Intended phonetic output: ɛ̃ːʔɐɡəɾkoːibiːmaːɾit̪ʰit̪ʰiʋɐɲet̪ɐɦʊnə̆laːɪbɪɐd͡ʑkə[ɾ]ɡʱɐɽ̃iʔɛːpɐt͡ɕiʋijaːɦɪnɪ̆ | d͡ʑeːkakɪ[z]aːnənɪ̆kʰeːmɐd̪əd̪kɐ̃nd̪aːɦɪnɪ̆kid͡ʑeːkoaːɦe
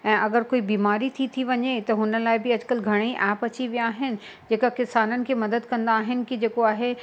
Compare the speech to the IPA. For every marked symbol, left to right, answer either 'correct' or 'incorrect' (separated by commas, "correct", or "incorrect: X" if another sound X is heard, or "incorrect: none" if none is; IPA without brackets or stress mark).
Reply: incorrect: l, incorrect: s